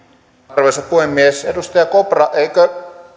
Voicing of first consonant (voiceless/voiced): voiced